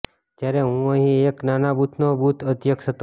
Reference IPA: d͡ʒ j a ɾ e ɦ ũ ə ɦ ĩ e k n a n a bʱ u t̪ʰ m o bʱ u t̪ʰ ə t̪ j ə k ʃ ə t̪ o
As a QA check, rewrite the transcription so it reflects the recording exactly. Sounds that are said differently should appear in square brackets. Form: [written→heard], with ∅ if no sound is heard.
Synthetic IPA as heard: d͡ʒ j a ɾ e ɦ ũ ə ɦ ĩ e k n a n a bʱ u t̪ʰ [m→n] o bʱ u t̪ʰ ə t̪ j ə k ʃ ə t̪ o